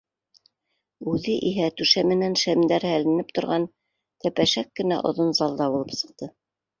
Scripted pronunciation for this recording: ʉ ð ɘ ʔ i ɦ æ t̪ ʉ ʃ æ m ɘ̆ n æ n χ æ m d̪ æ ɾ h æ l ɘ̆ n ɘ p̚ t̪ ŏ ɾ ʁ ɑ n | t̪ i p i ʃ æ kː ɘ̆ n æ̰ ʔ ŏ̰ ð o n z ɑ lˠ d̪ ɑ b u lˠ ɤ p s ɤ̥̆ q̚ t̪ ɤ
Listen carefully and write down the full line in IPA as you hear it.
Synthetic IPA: ʉ ð ɘ ʔ i ɦ æ t̪ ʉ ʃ æ m ɘ̆ n æ n ʃ æ m d̪ æ ɾ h æ l ɘ̆ n ɘ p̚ t̪ ŏ ɾ ʁ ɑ n | t̪ æ p æ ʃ æ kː ɘ̆ n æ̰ ʔ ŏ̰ ð o n z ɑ lˠ d̪ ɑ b u lˠ ɤ p s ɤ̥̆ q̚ t̪ ɤ